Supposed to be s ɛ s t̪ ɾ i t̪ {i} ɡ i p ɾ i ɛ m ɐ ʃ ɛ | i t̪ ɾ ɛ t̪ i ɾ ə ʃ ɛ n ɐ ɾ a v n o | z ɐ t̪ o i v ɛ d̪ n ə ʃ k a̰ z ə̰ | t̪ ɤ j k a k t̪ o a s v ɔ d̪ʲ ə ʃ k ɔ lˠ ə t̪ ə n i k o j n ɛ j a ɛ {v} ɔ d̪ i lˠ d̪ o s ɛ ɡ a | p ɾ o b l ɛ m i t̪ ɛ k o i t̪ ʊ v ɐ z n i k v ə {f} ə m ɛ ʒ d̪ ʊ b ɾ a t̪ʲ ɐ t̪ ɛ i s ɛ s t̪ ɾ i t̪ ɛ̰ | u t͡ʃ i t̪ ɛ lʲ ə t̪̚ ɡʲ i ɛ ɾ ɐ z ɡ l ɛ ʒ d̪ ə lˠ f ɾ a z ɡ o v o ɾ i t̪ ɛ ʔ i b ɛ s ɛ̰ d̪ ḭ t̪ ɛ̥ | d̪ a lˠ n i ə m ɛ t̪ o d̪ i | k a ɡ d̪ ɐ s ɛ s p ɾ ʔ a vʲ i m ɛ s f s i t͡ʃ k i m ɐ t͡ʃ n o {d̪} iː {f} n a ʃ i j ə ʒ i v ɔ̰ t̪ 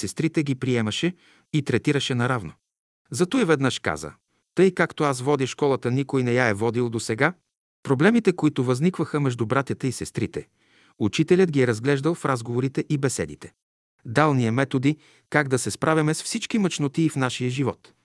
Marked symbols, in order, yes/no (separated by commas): no, yes, no, no, yes